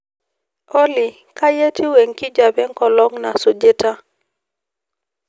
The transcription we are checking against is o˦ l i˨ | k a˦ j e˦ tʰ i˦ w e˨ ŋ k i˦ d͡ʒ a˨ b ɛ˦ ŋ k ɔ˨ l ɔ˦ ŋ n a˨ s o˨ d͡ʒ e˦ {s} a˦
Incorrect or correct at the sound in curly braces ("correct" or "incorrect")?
incorrect